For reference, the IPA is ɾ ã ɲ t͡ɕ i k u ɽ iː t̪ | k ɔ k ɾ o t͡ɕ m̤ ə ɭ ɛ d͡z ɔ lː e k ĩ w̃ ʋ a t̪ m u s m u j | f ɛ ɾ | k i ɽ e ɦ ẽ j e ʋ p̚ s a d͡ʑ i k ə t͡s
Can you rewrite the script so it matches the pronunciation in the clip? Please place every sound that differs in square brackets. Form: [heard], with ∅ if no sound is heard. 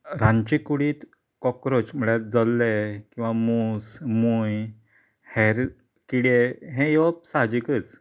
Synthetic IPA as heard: ɾ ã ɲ t͡ɕ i k u ɽ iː t̪ | k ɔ k ɾ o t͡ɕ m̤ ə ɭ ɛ d͡z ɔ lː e k ĩ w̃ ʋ a [∅] m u s m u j | [h] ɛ ɾ | k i ɽ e ɦ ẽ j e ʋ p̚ s a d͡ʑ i k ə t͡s